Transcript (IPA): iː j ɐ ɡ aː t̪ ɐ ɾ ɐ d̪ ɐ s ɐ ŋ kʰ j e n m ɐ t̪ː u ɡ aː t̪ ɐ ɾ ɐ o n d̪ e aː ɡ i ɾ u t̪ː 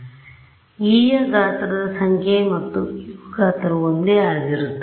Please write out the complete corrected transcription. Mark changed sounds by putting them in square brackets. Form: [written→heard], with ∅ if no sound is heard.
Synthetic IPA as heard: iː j ɐ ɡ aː t̪ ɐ ɾ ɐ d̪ ɐ s ɐ ŋ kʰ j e [n→∅] m ɐ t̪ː u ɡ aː t̪ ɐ ɾ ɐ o n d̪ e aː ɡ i ɾ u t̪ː